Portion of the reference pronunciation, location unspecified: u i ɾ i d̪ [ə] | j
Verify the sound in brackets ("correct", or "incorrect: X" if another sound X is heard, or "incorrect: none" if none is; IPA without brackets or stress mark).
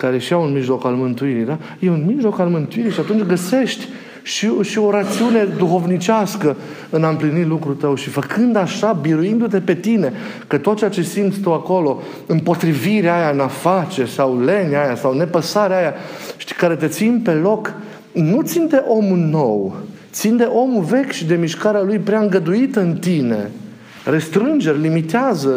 incorrect: a